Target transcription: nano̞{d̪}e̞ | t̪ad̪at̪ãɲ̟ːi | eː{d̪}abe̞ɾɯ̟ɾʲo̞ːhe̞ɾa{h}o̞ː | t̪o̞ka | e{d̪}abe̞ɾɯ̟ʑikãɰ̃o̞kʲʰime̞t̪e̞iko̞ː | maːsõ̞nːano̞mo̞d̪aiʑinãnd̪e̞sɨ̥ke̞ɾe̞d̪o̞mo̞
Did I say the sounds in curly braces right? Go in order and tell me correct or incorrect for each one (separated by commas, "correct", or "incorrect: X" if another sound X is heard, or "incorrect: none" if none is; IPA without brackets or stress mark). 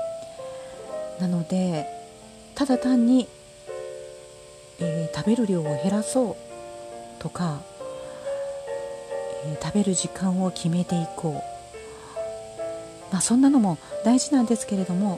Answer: correct, incorrect: t̪, incorrect: s, incorrect: t̪